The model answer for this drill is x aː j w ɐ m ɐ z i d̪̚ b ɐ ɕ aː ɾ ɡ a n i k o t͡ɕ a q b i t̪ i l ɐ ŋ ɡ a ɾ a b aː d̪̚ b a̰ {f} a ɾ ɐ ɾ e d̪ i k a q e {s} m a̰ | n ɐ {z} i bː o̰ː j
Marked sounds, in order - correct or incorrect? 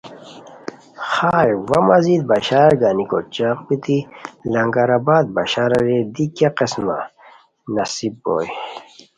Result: incorrect: ɕ, correct, incorrect: s

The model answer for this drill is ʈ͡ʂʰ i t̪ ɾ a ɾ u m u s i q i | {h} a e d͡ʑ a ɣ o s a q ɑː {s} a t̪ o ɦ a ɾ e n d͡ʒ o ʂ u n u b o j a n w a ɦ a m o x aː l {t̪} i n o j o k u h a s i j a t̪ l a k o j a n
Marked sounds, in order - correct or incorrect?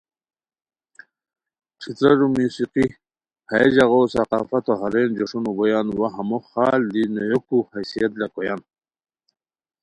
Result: correct, incorrect: f, incorrect: d̪

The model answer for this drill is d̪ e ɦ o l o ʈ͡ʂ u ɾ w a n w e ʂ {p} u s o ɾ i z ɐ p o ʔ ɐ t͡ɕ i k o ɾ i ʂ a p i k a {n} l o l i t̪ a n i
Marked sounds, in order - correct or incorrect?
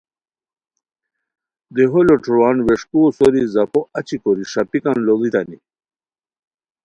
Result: incorrect: k, correct

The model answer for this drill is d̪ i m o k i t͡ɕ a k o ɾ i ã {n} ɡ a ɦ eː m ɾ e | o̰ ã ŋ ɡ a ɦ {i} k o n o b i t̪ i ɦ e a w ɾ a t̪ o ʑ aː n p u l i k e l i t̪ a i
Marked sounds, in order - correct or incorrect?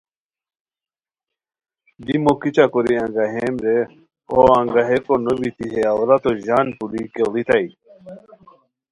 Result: incorrect: ŋ, incorrect: e

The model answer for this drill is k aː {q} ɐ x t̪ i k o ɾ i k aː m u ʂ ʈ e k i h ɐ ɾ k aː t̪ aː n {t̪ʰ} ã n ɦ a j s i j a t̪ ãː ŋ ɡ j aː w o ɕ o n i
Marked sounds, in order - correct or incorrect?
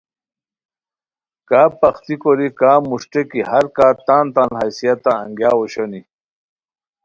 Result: incorrect: p, incorrect: t̪

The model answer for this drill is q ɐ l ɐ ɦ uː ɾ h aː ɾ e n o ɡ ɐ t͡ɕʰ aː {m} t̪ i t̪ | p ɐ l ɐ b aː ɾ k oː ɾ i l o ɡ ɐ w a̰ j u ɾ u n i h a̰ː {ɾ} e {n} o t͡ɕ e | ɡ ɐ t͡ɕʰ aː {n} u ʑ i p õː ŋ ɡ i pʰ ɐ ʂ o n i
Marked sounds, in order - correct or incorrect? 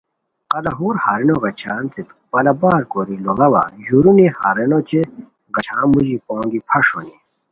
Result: incorrect: n, correct, correct, incorrect: m

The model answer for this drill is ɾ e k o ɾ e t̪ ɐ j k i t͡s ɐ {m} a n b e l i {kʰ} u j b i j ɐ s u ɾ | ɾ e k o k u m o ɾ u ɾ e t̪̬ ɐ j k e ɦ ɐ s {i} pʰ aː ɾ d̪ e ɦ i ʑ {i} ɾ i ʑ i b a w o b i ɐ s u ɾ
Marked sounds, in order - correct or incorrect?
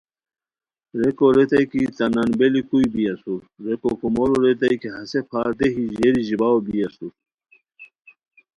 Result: incorrect: n, incorrect: k, incorrect: e, incorrect: e

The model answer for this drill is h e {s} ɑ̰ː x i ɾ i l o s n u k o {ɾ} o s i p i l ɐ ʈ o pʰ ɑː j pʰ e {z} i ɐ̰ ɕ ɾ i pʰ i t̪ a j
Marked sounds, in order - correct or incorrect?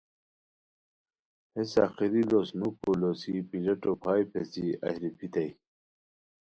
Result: correct, incorrect: l, incorrect: s

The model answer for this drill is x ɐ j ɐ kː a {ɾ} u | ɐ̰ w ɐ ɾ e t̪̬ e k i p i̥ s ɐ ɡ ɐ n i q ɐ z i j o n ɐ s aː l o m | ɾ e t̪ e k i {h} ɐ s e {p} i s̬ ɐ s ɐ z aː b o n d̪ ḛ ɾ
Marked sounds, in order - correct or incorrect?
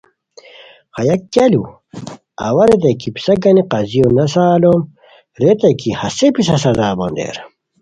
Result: incorrect: l, correct, correct

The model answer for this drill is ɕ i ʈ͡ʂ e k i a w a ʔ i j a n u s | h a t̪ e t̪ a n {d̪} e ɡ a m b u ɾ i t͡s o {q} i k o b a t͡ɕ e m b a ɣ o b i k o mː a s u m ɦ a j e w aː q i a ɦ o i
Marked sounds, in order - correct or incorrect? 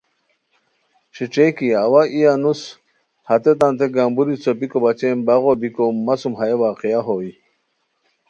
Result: incorrect: t̪, incorrect: p

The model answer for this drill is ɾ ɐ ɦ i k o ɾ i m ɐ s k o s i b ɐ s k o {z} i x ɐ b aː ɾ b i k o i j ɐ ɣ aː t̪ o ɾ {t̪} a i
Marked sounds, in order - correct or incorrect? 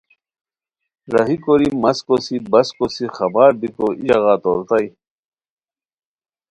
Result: incorrect: s, correct

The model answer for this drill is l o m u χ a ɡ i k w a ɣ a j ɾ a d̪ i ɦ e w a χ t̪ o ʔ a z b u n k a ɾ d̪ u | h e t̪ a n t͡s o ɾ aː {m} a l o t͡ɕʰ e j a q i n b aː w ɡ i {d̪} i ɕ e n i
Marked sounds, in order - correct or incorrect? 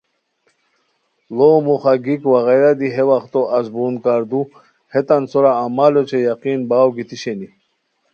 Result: correct, incorrect: t̪

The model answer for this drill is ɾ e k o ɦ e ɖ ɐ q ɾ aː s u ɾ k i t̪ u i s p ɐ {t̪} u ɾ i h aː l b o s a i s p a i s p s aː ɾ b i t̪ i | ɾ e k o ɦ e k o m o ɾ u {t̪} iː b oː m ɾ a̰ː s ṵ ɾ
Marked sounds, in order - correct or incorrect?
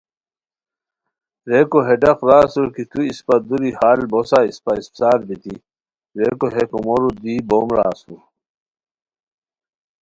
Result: incorrect: d̪, incorrect: d̪

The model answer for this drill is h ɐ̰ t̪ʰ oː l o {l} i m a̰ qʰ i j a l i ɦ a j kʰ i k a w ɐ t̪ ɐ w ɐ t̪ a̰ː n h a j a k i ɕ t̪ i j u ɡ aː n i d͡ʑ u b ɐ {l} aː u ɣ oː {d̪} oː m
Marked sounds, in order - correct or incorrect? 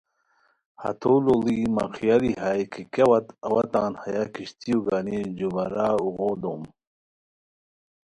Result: correct, incorrect: ɾ, correct

